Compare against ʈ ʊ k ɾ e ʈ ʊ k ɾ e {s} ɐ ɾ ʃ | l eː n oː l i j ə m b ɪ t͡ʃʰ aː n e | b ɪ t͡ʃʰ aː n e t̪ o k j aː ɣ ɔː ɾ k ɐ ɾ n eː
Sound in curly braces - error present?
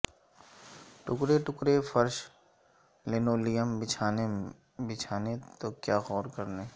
yes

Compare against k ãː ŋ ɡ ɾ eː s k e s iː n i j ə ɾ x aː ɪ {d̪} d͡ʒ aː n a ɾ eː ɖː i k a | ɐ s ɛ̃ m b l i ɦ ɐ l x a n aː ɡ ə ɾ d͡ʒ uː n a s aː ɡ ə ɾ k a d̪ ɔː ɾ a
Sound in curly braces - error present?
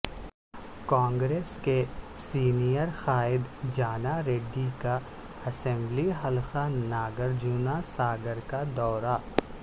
no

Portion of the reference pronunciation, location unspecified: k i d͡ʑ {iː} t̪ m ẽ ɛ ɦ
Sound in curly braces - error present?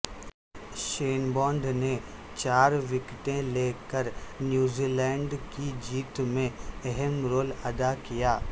no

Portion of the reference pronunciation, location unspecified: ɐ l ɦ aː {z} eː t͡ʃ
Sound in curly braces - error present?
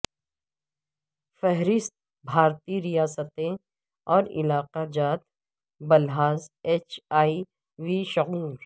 no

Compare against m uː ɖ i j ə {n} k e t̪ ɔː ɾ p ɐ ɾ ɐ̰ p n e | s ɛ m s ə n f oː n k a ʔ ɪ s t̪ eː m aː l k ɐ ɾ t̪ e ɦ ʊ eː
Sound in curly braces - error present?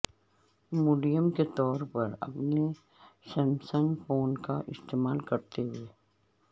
yes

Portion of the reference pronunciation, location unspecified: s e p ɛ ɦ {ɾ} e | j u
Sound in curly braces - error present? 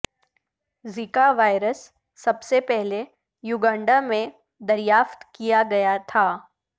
yes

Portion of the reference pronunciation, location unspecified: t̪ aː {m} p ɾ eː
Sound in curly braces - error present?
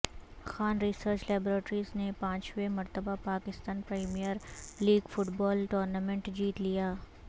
yes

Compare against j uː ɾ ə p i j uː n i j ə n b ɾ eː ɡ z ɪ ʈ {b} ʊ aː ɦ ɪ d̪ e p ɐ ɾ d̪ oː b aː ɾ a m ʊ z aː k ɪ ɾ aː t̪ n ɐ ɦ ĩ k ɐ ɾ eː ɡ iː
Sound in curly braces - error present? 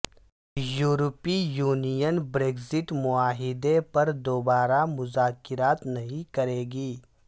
yes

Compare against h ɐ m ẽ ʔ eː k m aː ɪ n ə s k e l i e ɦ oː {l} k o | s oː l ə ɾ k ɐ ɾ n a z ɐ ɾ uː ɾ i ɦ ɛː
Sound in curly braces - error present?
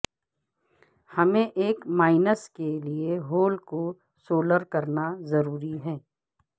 no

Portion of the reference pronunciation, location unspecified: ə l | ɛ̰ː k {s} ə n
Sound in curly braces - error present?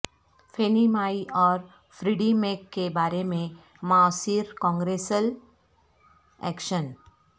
yes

